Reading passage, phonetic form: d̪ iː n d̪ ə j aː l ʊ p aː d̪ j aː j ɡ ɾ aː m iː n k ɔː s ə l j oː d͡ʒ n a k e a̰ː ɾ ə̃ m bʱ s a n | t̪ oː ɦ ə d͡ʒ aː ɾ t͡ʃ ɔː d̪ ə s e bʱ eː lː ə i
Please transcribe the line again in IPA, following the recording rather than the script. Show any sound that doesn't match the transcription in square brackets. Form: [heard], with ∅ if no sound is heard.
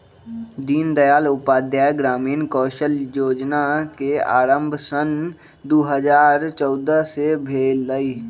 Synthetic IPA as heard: d̪ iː n d̪ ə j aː l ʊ p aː d̪ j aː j ɡ ɾ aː m iː n k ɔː [ʃ] ə l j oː d͡ʒ n a k e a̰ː ɾ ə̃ m bʱ s [ə] n | [d̪] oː ɦ ə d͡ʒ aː ɾ t͡ʃ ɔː d̪ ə s e bʱ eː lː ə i